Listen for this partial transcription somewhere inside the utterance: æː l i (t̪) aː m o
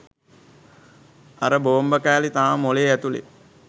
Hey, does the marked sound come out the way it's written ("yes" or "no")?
yes